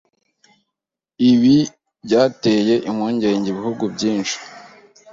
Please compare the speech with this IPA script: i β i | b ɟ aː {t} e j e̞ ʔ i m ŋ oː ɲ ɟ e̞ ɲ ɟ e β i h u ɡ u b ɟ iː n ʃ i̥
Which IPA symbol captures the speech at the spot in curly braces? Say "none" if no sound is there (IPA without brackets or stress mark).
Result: t